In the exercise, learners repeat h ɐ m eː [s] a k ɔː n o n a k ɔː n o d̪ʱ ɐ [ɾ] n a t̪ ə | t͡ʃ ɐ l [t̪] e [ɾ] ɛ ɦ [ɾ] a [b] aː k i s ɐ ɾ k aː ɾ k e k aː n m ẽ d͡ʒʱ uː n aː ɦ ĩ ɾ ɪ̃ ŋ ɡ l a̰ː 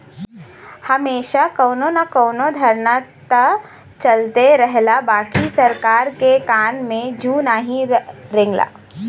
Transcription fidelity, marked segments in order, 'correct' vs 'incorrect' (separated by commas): incorrect, correct, correct, correct, incorrect, correct